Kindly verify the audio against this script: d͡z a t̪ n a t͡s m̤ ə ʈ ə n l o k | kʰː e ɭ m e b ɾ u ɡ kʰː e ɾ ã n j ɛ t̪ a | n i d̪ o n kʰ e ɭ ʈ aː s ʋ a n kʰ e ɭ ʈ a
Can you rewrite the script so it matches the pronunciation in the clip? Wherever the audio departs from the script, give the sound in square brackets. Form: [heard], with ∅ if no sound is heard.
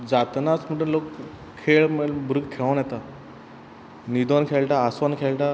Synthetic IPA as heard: d͡z a t̪ n a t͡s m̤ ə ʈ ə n l o k | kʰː e ɭ m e b ɾ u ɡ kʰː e [ɭ] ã n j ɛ t̪ a | n i d̪ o n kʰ e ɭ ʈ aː s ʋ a n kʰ e ɭ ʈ a